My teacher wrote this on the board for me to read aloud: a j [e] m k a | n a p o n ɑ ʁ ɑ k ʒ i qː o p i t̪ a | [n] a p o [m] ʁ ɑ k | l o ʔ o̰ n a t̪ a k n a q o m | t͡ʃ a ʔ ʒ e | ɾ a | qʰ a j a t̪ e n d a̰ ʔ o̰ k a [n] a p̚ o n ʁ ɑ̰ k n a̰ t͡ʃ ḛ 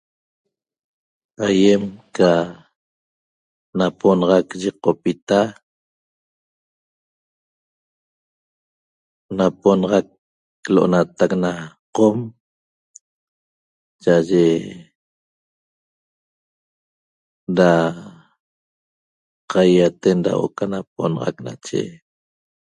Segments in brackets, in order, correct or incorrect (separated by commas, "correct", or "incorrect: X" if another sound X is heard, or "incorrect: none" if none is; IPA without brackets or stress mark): correct, correct, incorrect: n, correct